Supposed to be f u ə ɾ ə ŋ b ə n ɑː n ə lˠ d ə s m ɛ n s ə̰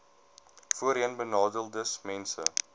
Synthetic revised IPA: f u ə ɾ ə n b ə n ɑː d ə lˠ d ə s m ɛ n s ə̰